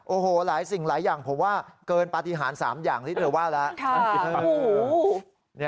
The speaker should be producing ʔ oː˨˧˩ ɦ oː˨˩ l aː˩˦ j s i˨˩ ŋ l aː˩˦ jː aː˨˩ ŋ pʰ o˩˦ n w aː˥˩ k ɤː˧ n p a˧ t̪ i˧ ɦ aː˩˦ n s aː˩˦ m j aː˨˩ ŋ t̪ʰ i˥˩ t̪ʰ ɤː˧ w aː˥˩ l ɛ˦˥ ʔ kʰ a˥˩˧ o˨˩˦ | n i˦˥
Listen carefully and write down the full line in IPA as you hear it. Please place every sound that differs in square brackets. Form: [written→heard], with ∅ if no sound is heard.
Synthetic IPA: ʔ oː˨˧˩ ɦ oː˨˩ l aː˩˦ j s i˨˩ ŋ l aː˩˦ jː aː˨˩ ŋ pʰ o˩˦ [n→m] w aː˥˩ k ɤː˧ n p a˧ t̪ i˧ ɦ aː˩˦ n s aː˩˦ m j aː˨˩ ŋ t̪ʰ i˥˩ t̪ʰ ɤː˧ w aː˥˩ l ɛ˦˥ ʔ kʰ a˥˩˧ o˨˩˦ | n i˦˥

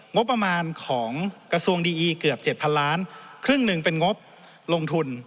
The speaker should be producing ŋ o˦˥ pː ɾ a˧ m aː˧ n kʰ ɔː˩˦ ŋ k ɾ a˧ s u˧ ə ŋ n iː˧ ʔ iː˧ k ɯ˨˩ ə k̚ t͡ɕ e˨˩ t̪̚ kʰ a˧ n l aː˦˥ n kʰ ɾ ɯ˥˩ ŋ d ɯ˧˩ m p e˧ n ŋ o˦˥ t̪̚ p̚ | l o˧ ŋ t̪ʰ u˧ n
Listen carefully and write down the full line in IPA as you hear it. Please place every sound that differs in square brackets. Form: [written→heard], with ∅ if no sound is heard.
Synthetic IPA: ŋ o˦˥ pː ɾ a˧ m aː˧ n kʰ ɔː˩˦ ŋ k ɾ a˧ s u˧ ə ŋ [n→d] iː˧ ʔ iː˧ k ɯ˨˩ ə [k̚→p̚] t͡ɕ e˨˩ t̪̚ [kʰ→pʰ] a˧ n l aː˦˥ n kʰ ɾ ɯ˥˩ ŋ [d→n] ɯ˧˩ [m→ŋ] p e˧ n ŋ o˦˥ [t̪̚→∅] p̚ | l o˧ ŋ t̪ʰ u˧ n

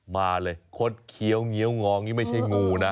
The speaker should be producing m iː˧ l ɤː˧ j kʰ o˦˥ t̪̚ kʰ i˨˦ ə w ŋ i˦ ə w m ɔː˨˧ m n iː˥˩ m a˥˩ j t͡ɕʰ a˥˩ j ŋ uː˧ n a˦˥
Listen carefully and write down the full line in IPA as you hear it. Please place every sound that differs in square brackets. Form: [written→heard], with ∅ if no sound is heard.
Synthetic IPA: m [iː˧→aː˧] l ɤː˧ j kʰ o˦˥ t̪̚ kʰ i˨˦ ə w ŋ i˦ ə w [m→ŋ] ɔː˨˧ [m→ŋ] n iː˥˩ m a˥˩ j t͡ɕʰ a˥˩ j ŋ uː˧ n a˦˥

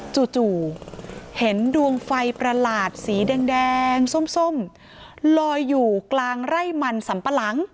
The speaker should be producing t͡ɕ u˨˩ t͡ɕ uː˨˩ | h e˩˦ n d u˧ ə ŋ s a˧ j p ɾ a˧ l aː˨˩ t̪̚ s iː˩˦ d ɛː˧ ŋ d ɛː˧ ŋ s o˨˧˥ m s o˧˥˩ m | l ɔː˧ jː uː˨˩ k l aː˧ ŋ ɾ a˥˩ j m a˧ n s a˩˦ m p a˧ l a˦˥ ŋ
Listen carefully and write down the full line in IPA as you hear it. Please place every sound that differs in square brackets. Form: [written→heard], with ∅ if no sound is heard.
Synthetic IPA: t͡ɕ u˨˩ t͡ɕ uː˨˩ | h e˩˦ n d u˧ ə ŋ [s→f] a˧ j p ɾ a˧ l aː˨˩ t̪̚ s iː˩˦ d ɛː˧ ŋ d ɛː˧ ŋ s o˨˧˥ m s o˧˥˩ m | l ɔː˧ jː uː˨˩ k l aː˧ ŋ ɾ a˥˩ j m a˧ n s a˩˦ m p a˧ l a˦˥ ŋ

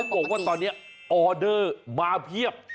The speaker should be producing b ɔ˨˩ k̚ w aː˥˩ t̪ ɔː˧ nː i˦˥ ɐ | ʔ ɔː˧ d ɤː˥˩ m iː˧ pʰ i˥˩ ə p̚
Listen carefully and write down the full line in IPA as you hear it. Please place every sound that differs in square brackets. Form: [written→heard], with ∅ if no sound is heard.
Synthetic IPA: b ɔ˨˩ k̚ w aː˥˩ t̪ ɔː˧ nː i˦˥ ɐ | ʔ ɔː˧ d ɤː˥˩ m [iː˧→aː˧] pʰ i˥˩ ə p̚

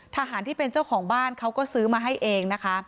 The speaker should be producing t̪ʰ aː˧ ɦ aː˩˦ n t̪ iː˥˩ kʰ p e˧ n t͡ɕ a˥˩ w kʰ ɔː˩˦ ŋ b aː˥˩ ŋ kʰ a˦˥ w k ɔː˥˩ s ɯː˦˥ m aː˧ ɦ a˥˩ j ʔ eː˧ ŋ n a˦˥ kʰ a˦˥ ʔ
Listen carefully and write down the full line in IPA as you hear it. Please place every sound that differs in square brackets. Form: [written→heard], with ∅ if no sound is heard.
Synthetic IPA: t̪ʰ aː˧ ɦ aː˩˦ n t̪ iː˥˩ [kʰ→∅] p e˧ n t͡ɕ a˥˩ w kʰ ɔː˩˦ ŋ b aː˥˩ [ŋ→n] kʰ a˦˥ w k ɔː˥˩ s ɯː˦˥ m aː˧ ɦ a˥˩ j ʔ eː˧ ŋ n a˦˥ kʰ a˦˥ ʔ

